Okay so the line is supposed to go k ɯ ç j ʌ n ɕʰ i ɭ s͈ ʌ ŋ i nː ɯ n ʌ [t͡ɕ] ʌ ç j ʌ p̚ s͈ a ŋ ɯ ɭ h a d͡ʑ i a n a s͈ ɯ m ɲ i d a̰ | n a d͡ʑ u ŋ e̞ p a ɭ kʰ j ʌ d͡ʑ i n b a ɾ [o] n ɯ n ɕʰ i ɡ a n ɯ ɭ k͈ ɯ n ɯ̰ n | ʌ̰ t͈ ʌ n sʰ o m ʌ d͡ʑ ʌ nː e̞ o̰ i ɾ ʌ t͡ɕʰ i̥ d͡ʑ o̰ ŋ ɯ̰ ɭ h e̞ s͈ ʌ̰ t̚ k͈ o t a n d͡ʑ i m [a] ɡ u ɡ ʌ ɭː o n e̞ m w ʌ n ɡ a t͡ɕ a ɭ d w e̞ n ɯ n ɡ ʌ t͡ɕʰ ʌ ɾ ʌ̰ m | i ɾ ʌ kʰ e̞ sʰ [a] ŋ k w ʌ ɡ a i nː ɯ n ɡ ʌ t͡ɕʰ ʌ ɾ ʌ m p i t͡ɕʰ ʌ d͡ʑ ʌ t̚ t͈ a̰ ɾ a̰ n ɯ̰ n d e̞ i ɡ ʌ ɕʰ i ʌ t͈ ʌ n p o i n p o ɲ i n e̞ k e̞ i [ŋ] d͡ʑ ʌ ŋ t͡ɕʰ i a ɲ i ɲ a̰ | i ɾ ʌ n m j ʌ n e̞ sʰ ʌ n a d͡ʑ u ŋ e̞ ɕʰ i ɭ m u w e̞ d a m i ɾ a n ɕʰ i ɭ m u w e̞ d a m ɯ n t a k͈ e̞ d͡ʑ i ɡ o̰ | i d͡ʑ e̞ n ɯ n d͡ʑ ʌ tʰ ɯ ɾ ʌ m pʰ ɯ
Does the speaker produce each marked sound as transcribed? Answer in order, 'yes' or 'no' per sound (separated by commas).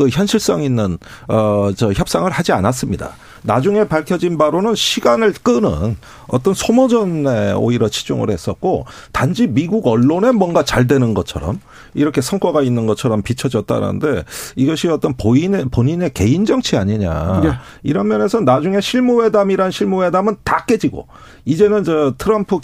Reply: yes, yes, no, no, no